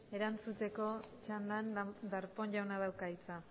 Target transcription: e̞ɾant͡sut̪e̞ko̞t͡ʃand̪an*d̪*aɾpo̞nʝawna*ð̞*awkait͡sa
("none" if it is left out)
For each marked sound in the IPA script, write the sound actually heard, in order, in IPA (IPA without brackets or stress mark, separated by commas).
d̪, ð̞